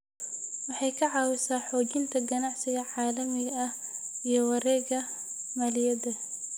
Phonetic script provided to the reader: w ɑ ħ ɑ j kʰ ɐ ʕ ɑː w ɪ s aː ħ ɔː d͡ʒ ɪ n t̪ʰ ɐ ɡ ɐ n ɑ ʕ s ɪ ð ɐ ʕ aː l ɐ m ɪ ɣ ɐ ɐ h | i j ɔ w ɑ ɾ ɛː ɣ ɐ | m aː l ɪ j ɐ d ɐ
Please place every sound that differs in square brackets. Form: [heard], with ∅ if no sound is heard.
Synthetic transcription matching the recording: w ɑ ħ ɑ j kʰ ɐ ʕ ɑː w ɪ s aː ħ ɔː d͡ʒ ɪ n t̪ʰ ɐ ɡ ɐ n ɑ ʕ s ɪ [ɣ] ɐ ʕ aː l ɐ m ɪ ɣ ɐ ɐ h | i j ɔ w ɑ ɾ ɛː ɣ ɐ | m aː l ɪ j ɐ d ɐ